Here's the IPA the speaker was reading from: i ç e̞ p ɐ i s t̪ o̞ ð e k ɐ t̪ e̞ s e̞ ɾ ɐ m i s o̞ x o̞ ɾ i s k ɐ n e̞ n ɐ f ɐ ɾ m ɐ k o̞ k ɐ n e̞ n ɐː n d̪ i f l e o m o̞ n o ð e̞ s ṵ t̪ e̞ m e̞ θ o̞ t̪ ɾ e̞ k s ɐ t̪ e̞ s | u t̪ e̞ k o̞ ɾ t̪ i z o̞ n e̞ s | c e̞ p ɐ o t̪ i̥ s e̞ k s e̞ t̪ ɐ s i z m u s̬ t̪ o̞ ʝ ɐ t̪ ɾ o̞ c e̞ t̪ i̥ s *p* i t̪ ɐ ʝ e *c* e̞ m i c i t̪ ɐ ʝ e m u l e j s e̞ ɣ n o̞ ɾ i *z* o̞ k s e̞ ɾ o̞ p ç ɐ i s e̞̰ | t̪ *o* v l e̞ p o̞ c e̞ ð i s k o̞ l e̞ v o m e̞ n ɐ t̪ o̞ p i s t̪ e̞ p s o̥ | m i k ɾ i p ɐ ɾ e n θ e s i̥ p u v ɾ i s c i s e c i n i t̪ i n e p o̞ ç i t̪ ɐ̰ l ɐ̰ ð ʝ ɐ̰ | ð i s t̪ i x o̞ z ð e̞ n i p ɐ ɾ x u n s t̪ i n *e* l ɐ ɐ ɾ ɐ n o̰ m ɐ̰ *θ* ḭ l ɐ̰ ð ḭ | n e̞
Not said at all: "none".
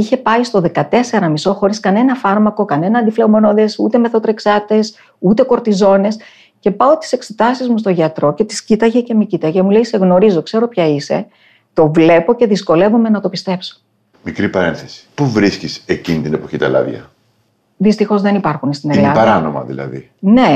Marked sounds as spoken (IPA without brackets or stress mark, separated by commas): c, c, z, o, e, ð